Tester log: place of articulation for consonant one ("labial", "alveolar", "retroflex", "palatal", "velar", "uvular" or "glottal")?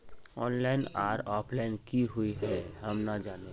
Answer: alveolar